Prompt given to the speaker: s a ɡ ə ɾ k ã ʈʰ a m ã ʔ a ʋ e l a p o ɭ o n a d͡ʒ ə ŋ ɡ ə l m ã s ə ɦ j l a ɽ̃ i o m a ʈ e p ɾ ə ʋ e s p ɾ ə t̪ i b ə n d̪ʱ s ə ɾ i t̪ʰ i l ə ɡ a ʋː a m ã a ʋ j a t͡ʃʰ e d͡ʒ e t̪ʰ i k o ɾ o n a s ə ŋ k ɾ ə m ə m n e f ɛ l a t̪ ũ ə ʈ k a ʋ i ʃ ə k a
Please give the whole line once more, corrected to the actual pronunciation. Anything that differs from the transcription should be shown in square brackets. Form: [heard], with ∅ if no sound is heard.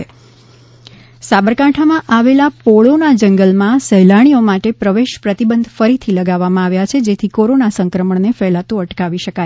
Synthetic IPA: s a [b] ə ɾ k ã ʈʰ a m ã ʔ a ʋ e l a p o ɭ o n a d͡ʒ ə ŋ ɡ ə l m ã s ə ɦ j l a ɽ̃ i o m a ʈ e p ɾ ə ʋ e [ʃ] p ɾ ə t̪ i b ə n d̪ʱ [f] ə ɾ i t̪ʰ i l ə ɡ a ʋː a m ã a ʋ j a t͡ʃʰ e d͡ʒ e t̪ʰ i k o ɾ o n a s ə ŋ k ɾ ə m ə [ɳ] n e f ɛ l a t̪ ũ ə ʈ k a ʋ i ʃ ə k a